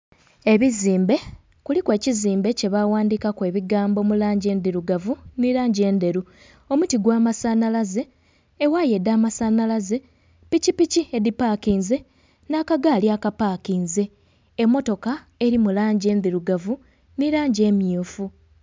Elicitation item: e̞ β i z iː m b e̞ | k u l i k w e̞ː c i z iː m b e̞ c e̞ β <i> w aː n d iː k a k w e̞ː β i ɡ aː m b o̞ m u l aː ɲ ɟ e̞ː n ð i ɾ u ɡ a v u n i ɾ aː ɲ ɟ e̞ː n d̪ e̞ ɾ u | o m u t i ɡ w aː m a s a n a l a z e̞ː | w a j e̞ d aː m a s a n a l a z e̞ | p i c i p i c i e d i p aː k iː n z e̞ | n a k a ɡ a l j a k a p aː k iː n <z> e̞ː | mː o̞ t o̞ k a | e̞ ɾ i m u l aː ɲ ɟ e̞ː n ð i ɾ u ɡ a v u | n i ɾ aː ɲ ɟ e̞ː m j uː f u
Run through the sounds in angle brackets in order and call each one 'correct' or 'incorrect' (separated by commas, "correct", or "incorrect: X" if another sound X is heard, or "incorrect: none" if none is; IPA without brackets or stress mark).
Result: incorrect: a, correct